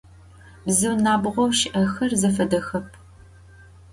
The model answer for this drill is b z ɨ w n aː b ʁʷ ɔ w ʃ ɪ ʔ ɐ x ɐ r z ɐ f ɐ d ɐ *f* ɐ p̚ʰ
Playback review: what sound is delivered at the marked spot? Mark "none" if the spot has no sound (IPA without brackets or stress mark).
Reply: x